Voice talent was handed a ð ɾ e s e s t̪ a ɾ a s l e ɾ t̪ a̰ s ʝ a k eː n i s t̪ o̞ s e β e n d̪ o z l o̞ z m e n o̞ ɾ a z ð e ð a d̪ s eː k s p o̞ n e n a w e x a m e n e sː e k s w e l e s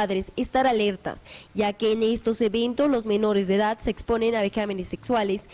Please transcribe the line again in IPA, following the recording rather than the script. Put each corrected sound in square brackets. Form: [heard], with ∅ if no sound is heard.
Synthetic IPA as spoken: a ð ɾ e s e s t̪ a ɾ a [∅] l e ɾ t̪ a̰ s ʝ a k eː n [e] s t̪ o̞ s e β e n [t̪] o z l o̞ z m e n o̞ ɾ [e] z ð e ð a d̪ s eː k s p o̞ n e n a [β] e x a m e n e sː e k s w [a] l e s

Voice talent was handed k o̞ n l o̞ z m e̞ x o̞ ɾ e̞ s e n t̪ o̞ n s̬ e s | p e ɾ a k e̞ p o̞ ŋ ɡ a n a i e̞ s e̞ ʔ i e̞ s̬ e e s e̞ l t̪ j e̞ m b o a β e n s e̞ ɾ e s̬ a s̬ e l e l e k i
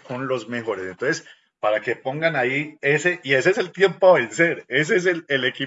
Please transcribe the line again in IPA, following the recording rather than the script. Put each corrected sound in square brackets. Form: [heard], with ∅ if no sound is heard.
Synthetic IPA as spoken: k o̞ n l o̞ z m e̞ x o̞ ɾ e̞ s e n t̪ o̞ n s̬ e s | p [a] ɾ a k e̞ p o̞ ŋ ɡ a n a i e̞ s e̞ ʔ i e̞ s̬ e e s e̞ l t̪ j e̞ m [p] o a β e n s e̞ ɾ e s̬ [e] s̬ e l e l e k i

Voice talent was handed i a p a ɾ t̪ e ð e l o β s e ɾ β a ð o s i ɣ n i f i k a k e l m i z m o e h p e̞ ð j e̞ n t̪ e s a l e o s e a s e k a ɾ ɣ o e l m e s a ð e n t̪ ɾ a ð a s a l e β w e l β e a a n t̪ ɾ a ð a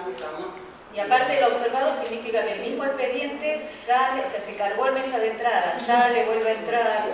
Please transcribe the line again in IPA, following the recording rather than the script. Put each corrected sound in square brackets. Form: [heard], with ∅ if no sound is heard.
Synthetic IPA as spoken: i a p a ɾ t̪ e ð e l o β s e ɾ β a ð o s i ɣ n i f i k a k e l m i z m o e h p e̞ ð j e̞ n t̪ e s a l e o s e a s e k a ɾ ɣ o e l m e s a ð e n t̪ ɾ a ð a s a l e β w e l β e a [e] n t̪ ɾ a ð a

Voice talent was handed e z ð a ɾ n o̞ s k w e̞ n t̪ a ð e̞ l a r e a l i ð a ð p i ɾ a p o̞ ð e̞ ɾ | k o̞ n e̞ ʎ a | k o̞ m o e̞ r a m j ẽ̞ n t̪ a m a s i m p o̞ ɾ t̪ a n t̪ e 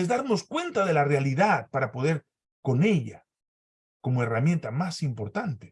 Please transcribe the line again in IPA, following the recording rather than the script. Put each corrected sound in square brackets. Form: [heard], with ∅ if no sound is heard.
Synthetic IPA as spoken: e z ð a ɾ n o̞ s k w e̞ n t̪ a ð e̞ l a r e a l i ð a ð p [a] ɾ a p o̞ ð e̞ ɾ | k o̞ n e̞ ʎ a | k o̞ m o e̞ r a m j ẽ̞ n t̪ a m a s i m p o̞ ɾ t̪ a n t̪ e

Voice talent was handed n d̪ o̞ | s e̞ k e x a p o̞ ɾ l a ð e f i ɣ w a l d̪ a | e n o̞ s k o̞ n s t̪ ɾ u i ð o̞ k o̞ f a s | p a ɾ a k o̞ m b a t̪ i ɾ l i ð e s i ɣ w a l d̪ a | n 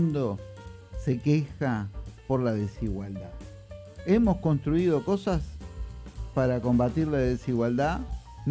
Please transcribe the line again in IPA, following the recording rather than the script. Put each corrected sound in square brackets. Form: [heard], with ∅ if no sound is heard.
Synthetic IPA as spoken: n d̪ o̞ | s e̞ k e x a p o̞ ɾ l a ð e [s] i ɣ w a l d̪ a | e [m] o̞ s k o̞ n s t̪ ɾ u i ð o̞ k o̞ [s] a s | p a ɾ a k o̞ m b a t̪ i ɾ l [a] ð e s i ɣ w a l d̪ a | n

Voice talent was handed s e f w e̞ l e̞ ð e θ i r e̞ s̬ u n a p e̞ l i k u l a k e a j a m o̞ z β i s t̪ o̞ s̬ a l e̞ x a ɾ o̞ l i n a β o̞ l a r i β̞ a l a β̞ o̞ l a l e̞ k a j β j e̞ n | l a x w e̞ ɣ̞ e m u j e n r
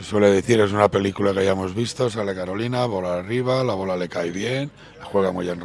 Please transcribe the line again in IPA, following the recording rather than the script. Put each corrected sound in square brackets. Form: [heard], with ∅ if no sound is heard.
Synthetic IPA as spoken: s e [s] w e̞ l e̞ ð e θ i [ɾ] e̞ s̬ u n a p e̞ l i k u l a k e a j a m o̞ z β i s t̪ o̞ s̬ a l e̞ [k] a ɾ o̞ l i n a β o̞ l a r i β̞ a l a β̞ o̞ l a l e̞ k a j β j e̞ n | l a x w e̞ ɣ̞ [a] m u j e n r

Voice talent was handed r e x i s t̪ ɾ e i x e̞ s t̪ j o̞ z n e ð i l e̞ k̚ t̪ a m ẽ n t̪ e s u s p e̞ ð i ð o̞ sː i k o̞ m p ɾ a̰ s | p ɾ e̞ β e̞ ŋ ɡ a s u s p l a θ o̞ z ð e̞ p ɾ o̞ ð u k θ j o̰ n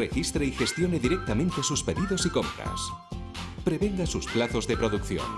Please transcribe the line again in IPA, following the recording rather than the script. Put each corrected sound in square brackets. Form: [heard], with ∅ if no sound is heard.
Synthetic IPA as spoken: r e x i s t̪ ɾ e i x e̞ s t̪ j o̞ [∅] n e ð i [ɾ] e̞ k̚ t̪ a m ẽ n t̪ e s u s p e̞ ð i ð o̞ [s] i k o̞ m p ɾ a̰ s | p ɾ e̞ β e̞ ŋ ɡ a s u s p l a θ o̞ z ð e̞ p ɾ o̞ ð u k θ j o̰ n

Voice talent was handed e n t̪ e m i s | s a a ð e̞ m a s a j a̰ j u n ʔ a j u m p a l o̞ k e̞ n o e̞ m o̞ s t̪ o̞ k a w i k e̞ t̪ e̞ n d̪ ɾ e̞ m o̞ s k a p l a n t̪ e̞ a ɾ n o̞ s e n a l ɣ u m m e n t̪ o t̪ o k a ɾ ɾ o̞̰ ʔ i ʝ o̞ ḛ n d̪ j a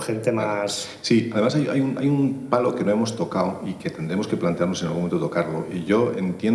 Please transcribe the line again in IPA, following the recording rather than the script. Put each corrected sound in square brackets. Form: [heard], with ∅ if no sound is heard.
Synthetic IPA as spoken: e n t̪ e m [a] s | s [i] a ð e̞ m a s a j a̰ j u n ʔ a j u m p a l o̞ k e̞ n o e̞ m o̞ s t̪ o̞ k a w i k e̞ t̪ e̞ n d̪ ɾ e̞ m o̞ s k [e] p l a n t̪ e̞ a ɾ n o̞ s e n a l ɣ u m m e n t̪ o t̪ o k a ɾ [l] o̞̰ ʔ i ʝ o̞ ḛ n [t̪] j [e]

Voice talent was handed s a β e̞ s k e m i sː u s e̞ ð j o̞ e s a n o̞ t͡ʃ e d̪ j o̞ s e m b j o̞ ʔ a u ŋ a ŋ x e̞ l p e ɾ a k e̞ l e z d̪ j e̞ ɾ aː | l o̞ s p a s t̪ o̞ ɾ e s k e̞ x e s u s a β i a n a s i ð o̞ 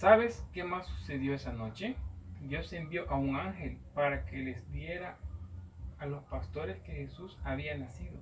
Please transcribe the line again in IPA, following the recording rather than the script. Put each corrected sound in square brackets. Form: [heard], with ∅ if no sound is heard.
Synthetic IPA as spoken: s a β e̞ s k e m [a] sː u s e̞ ð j o̞ e s a n o̞ t͡ʃ e d̪ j o̞ s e m b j o̞ ʔ a u ŋ a ŋ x e̞ l p [a] ɾ a k e̞ l e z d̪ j e̞ ɾ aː | l o̞ s p a s t̪ o̞ ɾ e s k e̞ x e s u s a β i a n a s i ð o̞

